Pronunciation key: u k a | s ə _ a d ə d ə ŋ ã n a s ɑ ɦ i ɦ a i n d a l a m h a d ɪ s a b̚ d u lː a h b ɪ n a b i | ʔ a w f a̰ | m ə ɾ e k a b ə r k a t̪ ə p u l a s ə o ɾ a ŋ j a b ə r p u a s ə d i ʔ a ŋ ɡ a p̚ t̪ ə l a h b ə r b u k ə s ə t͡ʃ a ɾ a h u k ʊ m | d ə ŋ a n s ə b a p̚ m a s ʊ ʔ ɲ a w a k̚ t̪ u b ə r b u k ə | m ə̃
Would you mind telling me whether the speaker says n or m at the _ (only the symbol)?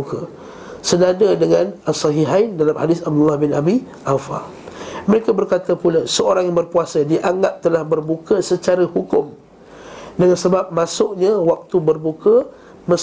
n